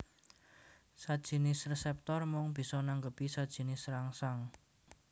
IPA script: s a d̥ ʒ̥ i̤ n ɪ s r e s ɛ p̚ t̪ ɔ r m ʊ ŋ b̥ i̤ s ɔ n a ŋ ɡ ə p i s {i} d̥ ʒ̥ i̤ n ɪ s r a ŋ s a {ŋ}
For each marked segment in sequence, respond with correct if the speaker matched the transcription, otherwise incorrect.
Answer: incorrect, correct

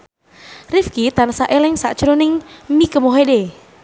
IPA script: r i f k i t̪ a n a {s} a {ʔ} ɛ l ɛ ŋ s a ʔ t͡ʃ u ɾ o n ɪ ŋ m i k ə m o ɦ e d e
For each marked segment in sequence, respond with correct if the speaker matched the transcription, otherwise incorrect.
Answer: correct, correct

